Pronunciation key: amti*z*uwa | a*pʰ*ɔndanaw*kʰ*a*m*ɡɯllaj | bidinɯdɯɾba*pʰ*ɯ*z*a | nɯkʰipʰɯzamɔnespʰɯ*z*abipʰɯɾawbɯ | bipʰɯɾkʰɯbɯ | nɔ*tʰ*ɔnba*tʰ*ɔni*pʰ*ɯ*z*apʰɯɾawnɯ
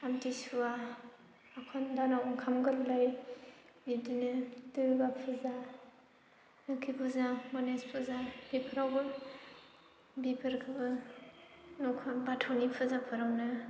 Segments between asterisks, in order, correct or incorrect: incorrect, incorrect, correct, correct, correct, correct, correct, incorrect, correct, correct, correct

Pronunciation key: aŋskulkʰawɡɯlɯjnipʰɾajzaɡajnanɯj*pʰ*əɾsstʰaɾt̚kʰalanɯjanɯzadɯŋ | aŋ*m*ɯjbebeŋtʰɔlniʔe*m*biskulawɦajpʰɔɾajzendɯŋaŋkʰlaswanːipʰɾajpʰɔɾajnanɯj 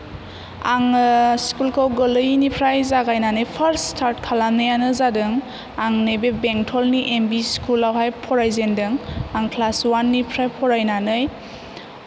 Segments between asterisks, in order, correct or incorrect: correct, incorrect, correct

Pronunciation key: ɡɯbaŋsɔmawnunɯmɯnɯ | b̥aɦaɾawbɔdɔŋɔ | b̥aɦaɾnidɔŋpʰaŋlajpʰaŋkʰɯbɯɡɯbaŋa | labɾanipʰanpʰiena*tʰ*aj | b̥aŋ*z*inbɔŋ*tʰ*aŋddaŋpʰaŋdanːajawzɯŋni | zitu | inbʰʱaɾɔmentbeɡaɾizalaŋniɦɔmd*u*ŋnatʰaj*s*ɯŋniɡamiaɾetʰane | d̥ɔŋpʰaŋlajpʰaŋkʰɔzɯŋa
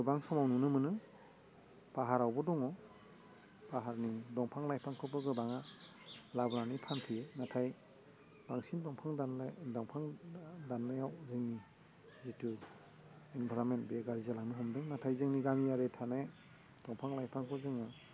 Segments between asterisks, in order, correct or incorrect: correct, incorrect, incorrect, incorrect, incorrect

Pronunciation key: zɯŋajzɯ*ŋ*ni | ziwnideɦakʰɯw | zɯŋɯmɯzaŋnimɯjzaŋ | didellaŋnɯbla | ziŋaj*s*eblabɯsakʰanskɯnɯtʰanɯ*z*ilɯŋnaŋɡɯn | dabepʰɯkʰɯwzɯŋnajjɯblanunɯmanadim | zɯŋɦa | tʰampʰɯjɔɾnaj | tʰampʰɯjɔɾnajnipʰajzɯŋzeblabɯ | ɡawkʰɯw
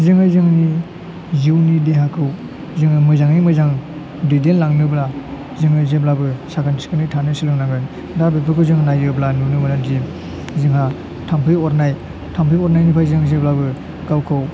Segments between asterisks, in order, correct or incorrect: correct, incorrect, incorrect

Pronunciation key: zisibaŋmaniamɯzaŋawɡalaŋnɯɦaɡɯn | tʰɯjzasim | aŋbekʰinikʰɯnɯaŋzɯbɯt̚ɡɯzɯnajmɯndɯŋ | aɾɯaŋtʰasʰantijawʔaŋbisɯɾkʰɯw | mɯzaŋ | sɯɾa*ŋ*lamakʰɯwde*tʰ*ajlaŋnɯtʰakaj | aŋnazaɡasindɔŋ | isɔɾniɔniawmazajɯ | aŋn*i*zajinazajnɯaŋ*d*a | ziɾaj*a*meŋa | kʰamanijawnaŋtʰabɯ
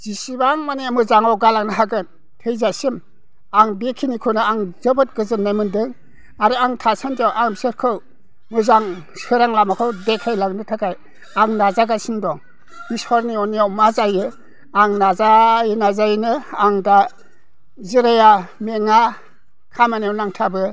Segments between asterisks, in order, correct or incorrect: correct, incorrect, incorrect, correct, correct

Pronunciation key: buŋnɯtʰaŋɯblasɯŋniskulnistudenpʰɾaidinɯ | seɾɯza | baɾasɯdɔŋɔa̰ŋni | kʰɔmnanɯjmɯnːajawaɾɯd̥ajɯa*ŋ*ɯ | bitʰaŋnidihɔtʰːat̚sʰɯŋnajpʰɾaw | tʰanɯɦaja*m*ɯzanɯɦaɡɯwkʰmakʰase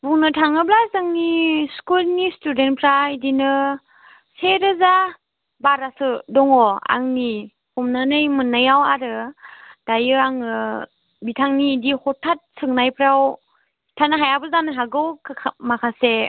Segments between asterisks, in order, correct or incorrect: correct, incorrect

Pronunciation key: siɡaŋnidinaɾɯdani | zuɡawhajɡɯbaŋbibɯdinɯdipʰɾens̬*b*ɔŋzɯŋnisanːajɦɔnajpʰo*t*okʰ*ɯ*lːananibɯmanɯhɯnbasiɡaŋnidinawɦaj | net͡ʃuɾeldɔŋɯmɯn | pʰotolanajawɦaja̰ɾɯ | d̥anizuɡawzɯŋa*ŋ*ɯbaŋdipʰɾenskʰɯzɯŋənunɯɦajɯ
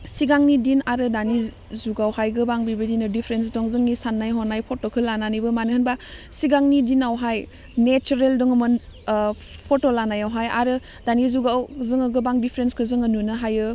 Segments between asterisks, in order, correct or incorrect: incorrect, correct, correct, incorrect

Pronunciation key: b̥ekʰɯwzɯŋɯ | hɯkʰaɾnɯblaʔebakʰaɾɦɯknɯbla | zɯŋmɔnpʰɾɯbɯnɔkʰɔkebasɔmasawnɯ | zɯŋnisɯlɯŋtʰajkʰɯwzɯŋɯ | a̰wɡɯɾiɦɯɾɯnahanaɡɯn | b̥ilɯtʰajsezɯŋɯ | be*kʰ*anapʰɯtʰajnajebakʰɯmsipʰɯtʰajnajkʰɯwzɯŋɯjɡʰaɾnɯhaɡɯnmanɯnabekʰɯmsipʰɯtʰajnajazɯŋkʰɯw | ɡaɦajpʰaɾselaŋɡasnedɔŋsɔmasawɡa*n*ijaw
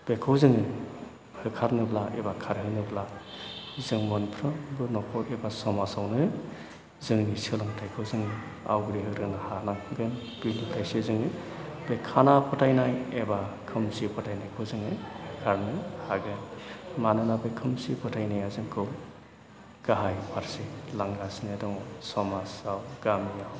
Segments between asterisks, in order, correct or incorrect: correct, incorrect

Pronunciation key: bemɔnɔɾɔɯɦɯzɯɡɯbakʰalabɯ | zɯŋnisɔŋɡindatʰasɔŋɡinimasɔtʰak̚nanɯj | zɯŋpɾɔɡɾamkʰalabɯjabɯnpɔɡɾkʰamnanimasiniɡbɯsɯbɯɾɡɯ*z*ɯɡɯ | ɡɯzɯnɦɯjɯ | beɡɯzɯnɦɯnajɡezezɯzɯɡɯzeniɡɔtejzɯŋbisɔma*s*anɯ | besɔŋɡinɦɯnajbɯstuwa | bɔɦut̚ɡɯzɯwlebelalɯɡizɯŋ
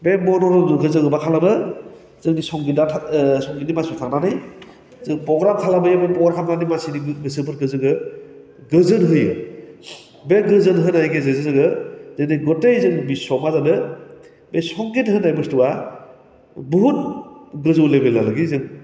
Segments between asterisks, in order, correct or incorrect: correct, incorrect

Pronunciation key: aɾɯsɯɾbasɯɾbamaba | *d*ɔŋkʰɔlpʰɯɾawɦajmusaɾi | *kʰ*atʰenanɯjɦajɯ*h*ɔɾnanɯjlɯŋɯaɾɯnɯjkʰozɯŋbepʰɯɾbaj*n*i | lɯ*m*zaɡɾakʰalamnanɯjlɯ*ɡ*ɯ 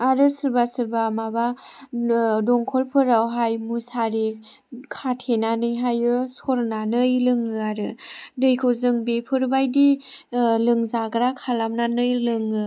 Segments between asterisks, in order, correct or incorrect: correct, correct, incorrect, incorrect, incorrect, incorrect

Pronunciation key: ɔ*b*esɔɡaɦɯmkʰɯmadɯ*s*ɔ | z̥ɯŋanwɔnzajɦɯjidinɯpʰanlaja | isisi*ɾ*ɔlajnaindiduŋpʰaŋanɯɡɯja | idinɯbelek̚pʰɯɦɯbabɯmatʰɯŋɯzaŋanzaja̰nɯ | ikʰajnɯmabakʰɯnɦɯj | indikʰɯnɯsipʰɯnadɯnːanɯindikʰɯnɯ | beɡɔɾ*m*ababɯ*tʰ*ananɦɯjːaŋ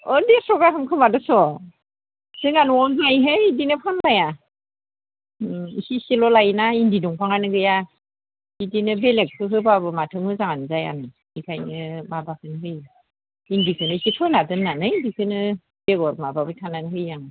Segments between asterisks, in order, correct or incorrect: incorrect, correct, incorrect, correct, correct

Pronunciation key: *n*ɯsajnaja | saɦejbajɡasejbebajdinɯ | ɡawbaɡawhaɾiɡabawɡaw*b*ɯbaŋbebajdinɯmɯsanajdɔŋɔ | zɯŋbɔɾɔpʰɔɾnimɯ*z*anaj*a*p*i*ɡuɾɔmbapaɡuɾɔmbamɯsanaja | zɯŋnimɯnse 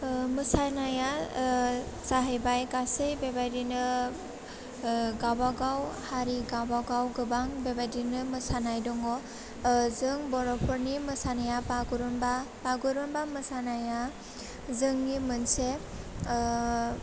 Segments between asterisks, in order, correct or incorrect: incorrect, incorrect, incorrect, correct, incorrect

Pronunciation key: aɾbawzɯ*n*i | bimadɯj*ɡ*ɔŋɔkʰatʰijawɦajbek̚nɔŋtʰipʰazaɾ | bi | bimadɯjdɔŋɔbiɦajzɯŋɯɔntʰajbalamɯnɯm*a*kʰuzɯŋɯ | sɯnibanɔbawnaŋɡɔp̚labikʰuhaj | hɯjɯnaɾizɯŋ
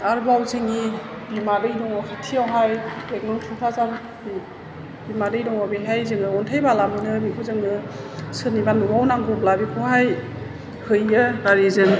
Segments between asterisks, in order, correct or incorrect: incorrect, incorrect, incorrect

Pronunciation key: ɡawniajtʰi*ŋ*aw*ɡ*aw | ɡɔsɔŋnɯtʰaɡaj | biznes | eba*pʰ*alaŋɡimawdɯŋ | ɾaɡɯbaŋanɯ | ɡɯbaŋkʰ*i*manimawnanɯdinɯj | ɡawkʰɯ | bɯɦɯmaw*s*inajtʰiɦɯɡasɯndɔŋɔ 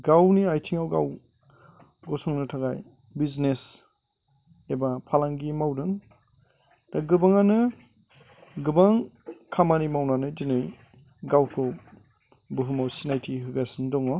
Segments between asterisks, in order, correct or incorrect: correct, correct, correct, incorrect, correct

